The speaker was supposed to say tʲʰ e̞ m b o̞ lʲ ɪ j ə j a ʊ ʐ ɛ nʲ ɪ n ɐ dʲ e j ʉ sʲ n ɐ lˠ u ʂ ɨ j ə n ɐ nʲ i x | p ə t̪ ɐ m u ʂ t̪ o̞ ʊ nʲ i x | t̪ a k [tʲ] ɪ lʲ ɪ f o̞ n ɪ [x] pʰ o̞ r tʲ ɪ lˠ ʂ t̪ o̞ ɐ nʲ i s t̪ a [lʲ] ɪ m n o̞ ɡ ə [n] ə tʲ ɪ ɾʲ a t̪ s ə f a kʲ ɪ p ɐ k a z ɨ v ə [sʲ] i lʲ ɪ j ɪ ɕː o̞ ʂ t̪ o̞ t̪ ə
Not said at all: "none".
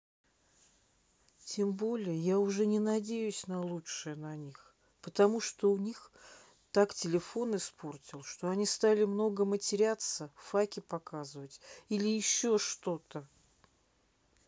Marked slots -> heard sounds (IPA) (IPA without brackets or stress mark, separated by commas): tʲ, s, lʲ, m, tʲ